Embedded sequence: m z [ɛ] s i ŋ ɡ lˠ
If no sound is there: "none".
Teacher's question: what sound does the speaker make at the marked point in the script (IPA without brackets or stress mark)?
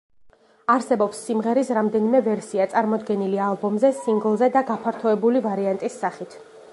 ɛ